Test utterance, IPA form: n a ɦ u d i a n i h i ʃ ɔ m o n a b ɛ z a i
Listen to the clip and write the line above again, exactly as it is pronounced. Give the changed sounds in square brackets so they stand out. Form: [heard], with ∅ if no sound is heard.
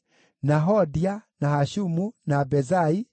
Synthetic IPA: n a ɦ [ɔ] d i a n [a] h [a] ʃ [u] m [u] n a b ɛ z a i